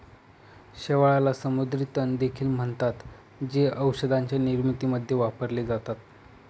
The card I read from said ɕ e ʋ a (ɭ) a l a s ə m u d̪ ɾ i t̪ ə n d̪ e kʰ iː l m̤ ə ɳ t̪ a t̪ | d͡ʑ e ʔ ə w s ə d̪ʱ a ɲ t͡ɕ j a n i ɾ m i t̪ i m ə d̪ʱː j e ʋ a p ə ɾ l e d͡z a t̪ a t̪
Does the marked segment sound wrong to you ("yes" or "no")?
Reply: no